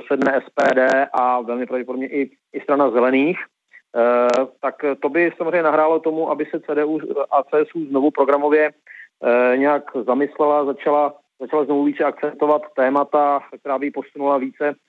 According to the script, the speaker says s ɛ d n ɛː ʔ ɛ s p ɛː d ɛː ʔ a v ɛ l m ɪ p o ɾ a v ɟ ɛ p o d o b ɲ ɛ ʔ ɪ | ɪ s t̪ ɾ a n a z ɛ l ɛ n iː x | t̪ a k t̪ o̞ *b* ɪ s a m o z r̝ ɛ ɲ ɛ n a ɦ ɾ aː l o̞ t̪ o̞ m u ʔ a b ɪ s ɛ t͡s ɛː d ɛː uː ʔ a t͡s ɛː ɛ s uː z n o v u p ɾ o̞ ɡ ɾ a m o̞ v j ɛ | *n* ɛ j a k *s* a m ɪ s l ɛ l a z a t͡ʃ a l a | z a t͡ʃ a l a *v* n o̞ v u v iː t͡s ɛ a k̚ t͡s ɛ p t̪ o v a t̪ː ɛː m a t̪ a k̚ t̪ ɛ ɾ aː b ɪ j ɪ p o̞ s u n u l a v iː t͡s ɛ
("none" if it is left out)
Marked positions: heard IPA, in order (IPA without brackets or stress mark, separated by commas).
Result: b, ɲ, z, z